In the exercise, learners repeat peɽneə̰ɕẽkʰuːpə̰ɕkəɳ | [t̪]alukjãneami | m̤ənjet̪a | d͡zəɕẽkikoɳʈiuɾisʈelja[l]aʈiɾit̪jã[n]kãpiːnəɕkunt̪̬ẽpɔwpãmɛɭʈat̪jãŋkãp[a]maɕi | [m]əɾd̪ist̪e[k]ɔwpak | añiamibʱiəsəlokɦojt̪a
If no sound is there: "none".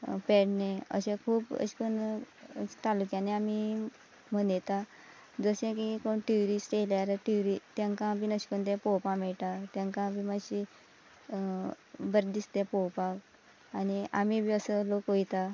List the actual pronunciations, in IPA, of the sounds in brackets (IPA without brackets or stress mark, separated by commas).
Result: t̪, ɾ, ŋ, i, b, p